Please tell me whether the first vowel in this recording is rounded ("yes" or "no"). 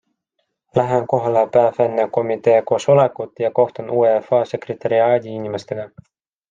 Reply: no